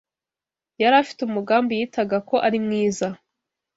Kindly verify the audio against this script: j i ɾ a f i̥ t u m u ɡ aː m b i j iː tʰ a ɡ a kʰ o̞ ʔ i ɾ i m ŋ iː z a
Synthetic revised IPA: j a ɾ a f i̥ t u m u ɡ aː m b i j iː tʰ a ɡ a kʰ o̞ ʔ a ɾ i m ŋ iː z a